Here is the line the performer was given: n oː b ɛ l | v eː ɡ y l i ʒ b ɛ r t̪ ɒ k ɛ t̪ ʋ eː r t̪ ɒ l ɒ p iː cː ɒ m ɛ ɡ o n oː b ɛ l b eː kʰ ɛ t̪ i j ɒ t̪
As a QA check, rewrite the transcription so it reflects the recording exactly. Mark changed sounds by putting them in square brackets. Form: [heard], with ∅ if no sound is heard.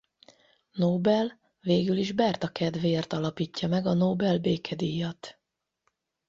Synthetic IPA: n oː b ɛ l | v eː ɡ y l i ʒ b ɛ r t̪ ɒ k ɛ [d̪] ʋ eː r t̪ ɒ l ɒ p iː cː ɒ m ɛ ɡ [ɒ] n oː b ɛ l b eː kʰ ɛ [d̪] i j ɒ t̪